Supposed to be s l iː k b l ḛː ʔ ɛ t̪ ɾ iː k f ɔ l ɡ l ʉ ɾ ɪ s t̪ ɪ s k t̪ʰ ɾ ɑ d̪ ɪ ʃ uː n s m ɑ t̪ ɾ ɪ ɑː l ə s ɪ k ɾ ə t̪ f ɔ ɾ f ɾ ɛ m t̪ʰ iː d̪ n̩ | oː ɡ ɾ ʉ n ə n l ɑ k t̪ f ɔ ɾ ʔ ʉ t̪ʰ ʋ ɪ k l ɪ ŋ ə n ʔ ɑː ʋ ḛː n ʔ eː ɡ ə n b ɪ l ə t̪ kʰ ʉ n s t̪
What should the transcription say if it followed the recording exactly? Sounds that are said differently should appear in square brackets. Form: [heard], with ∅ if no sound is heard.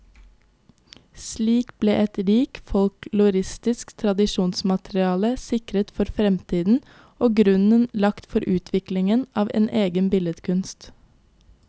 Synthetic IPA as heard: s l iː k b l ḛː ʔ ɛ t̪ ɾ iː k f ɔ l [k] l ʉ ɾ ɪ s t̪ ɪ s k t̪ʰ ɾ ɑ d̪ ɪ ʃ uː n s m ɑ t̪ ɾ ɪ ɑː l ə s ɪ k ɾ ə t̪ f ɔ ɾ f ɾ ɛ m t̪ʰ iː d̪ n̩ | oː ɡ ɾ ʉ n ə n l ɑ k t̪ f ɔ ɾ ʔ [ʉː] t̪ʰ ʋ ɪ k l ɪ ŋ ə n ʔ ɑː ʋ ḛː n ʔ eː ɡ ə n b ɪ l ə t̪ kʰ ʉ n s t̪

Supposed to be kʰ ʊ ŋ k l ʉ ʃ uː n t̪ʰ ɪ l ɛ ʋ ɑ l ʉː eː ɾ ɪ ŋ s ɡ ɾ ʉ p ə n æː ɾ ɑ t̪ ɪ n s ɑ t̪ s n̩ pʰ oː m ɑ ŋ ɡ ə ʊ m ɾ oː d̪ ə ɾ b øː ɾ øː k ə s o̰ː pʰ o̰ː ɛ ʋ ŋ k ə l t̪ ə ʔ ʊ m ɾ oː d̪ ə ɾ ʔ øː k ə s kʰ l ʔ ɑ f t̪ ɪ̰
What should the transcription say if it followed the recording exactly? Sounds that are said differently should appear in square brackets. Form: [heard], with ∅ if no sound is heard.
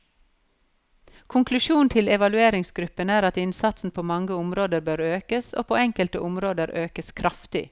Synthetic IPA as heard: kʰ ʊ ŋ k l ʉ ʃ uː n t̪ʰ ɪ l ɛ ʋ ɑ l [ʉ] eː ɾ ɪ ŋ s ɡ ɾ ʉ p ə n æː ɾ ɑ t̪ ɪ n s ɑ t̪ s n̩ pʰ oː m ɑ ŋ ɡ ə ʊ m ɾ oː d̪ ə ɾ b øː ɾ øː k ə s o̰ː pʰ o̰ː ɛ [∅] ŋ k ə l t̪ ə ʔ ʊ m ɾ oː d̪ ə ɾ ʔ øː k ə s kʰ [ɾ] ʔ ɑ f t̪ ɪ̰

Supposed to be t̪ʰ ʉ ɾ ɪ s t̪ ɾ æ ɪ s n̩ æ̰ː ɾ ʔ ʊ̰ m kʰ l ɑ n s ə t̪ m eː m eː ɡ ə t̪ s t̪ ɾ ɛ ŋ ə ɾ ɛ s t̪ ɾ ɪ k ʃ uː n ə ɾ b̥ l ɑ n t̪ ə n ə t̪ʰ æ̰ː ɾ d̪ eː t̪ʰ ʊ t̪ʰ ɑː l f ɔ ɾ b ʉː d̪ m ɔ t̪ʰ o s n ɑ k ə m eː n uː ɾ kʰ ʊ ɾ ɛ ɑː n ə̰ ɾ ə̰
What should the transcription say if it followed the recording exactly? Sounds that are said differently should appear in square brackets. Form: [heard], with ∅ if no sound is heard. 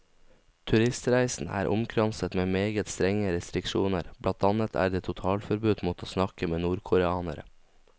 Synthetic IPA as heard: t̪ʰ ʉ ɾ ɪ s t̪ ɾ æ ɪ s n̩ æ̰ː ɾ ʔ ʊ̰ m kʰ [ɾ] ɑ n s ə t̪ m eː m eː ɡ ə t̪ s t̪ ɾ ɛ ŋ ə ɾ ɛ s t̪ ɾ ɪ k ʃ uː n ə ɾ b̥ l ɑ n t̪ [ɑ] n ə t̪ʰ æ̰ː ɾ d̪ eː t̪ʰ ʊ t̪ʰ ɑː l f ɔ ɾ b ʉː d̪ m ɔ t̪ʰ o s n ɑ k ə m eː n uː ɾ kʰ ʊ ɾ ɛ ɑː n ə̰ ɾ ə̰

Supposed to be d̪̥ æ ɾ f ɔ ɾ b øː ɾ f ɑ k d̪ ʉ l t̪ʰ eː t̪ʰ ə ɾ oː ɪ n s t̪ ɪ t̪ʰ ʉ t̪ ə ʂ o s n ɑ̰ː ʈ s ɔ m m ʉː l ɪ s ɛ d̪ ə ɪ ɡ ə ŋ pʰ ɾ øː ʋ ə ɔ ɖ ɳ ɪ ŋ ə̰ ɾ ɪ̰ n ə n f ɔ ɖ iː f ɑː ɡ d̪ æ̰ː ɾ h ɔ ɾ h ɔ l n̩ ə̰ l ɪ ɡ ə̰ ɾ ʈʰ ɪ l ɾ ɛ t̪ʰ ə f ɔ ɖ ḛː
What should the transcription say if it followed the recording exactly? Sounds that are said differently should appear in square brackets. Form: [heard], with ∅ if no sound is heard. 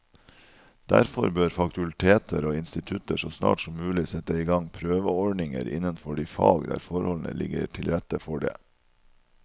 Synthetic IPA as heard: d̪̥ æ ɾ f ɔ ɾ b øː ɾ f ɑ k [t̪] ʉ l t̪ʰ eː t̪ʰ ə ɾ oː ɪ n s t̪ ɪ t̪ʰ ʉ t̪ ə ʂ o s n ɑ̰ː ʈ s ɔ m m ʉː l ɪ s ɛ [t̪] ə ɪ ɡ [ɑ] ŋ pʰ ɾ øː ʋ ə ɔ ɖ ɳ ɪ ŋ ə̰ ɾ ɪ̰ n ə n f ɔ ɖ iː f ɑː ɡ d̪ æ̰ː ɾ [f] ɔ ɾ h ɔ l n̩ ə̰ l ɪ ɡ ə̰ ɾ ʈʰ ɪ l ɾ ɛ [t̪] ə f ɔ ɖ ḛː

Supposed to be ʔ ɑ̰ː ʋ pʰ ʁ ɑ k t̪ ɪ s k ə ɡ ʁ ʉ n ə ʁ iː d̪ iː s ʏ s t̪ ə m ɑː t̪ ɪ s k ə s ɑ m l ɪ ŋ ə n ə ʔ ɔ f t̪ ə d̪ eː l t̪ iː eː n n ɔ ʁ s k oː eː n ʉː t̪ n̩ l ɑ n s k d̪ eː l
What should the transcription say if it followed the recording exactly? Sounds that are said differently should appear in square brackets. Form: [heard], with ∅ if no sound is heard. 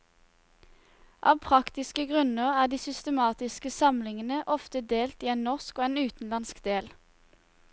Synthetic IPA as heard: ʔ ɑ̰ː ʋ pʰ ʁ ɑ k t̪ ɪ s k ə ɡ ʁ ʉ n ə ʁ [æː] d̪ iː s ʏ s t̪ ə m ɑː t̪ ɪ s k ə s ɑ m l ɪ ŋ ə n ə ʔ ɔ f t̪ ə d̪ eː l t̪ iː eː n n ɔ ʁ s k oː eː n ʉː t̪ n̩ l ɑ n s k d̪ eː l

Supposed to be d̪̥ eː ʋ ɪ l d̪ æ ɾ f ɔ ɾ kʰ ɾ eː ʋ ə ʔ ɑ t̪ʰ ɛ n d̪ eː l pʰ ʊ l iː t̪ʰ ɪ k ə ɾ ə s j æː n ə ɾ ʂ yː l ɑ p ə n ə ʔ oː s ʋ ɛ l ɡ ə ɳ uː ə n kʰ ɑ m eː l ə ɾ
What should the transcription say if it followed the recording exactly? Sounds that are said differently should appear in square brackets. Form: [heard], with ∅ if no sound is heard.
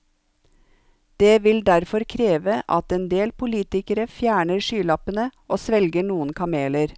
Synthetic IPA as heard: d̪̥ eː ʋ ɪ l d̪ æ ɾ f ɔ ɾ kʰ ɾ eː ʋ ə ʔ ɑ [t̪] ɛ n d̪ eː l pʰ ʊ l iː [t̪] ɪ k ə ɾ ə [f] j æː [ɳ] ə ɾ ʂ yː l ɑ p ə n ə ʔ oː s ʋ ɛ l ɡ ə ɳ uː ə n kʰ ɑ m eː l ə ɾ

